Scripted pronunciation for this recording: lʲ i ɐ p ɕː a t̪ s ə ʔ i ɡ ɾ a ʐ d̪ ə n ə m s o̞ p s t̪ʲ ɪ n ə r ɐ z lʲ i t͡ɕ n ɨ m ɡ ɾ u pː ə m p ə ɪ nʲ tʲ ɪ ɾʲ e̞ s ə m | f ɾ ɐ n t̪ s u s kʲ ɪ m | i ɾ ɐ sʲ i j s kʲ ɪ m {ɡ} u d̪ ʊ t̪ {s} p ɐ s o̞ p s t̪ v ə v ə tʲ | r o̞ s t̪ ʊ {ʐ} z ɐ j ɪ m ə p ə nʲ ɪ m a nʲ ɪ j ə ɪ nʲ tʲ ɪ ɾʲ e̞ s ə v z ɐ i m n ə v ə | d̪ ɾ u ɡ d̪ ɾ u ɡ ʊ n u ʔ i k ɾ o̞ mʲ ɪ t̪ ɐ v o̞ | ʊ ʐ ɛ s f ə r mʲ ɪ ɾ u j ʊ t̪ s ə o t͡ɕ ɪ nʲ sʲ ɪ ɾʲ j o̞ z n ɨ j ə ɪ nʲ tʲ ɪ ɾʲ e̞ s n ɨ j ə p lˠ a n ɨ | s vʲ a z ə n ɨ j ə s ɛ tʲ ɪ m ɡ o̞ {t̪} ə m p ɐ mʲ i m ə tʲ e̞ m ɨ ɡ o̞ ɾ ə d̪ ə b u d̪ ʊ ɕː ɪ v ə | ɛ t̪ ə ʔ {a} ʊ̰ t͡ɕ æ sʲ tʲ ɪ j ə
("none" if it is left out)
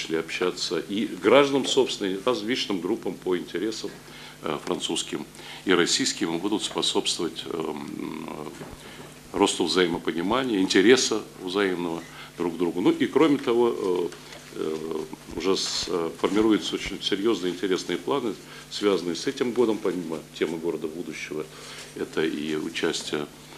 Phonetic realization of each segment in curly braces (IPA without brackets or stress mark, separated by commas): b, s, v, d̪, i